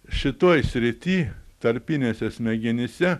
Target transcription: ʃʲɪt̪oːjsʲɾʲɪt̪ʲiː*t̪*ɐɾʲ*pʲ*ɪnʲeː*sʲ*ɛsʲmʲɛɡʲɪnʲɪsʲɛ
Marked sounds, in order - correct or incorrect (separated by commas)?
correct, correct, correct